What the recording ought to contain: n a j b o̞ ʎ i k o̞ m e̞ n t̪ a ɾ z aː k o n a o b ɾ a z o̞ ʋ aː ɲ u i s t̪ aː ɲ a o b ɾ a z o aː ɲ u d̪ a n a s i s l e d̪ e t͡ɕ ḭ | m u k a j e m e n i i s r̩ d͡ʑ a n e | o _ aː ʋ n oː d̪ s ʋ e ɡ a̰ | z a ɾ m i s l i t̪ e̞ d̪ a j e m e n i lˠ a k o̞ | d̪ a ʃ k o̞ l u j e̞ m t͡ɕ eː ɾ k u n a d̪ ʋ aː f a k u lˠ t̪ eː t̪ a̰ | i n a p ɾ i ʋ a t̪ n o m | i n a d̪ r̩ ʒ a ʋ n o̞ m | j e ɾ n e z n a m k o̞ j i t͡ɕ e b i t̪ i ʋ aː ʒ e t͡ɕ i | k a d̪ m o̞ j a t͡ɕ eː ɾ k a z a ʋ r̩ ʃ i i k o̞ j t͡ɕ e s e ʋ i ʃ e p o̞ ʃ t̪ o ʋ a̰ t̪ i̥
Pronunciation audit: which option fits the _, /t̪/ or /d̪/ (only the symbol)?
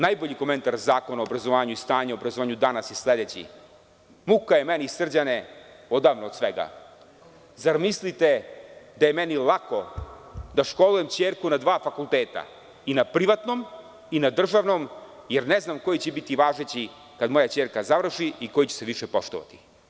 d̪